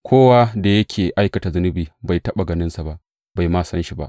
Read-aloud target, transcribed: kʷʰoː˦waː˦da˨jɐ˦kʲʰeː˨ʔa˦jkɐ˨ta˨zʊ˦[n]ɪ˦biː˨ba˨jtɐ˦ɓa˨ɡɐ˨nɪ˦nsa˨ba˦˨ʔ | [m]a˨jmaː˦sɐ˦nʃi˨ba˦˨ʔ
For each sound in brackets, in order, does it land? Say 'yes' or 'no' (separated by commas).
yes, no